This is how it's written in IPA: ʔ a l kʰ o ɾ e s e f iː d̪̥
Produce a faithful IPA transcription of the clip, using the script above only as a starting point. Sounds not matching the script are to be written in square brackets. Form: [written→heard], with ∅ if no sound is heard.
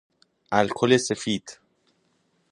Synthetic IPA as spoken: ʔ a l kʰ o [ɾ→l] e s e f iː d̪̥